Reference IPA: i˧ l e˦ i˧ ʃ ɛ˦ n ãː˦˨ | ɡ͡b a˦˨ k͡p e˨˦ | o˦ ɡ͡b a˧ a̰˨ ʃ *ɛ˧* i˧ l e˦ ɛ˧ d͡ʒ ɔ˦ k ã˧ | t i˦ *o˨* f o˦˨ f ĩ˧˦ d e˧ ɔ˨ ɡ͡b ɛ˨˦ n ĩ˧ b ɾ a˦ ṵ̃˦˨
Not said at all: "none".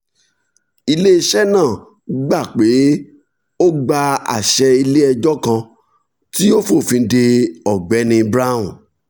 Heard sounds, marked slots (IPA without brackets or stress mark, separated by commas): ɛ˧, o˦